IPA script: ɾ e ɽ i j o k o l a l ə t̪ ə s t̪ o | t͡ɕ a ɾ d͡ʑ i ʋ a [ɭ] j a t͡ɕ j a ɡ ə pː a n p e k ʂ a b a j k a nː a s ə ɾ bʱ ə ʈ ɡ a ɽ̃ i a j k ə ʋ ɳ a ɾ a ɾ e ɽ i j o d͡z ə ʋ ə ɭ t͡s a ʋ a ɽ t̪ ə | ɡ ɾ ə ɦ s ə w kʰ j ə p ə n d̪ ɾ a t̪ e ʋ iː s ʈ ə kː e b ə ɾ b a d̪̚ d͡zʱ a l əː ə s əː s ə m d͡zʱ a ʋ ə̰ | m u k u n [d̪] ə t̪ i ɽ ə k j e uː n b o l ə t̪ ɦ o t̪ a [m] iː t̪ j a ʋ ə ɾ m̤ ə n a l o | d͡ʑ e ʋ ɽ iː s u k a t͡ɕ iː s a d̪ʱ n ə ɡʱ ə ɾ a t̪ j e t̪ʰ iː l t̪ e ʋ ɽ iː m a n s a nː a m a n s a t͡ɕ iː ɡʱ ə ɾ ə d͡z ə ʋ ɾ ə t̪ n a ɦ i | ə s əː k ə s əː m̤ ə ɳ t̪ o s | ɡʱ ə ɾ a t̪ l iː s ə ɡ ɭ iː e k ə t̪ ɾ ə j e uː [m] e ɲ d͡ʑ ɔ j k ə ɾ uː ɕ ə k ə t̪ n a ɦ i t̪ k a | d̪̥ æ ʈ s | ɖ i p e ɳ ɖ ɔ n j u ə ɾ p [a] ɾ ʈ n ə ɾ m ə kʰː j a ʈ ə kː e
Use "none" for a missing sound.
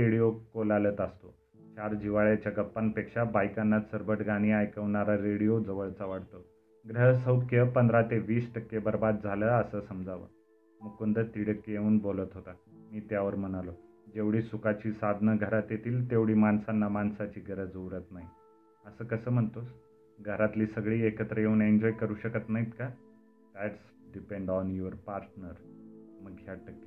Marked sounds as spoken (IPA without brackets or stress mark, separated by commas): ɭ, d̪, m, n, a